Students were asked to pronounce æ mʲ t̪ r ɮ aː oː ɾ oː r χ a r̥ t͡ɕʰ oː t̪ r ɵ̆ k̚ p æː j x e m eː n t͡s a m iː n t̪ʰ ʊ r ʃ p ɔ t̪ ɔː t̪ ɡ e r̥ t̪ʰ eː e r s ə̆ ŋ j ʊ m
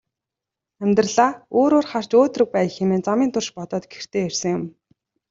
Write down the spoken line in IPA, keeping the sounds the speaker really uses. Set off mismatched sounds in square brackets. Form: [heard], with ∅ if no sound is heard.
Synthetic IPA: æ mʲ t̪ r ɮ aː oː ɾ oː r χ a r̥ [t͡ɕ] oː t̪ r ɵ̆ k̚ p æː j x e m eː n t͡s a m iː n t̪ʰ ʊ r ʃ p ɔ t̪ ɔː t̪ ɡ e r̥ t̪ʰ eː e r s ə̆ ŋ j ʊ m